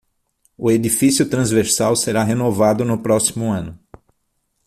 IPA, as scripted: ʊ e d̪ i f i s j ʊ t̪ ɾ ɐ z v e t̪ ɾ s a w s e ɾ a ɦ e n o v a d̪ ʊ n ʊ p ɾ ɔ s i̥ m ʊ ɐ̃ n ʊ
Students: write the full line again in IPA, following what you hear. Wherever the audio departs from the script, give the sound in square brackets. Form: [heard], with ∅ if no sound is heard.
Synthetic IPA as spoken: ʊ e d̪ i f i s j ʊ t̪ ɾ [ɐ̃] z v e [∅] ɾ s a w s e ɾ a ɦ e n o v a d̪ ʊ n ʊ p ɾ ɔ s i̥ m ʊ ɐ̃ n ʊ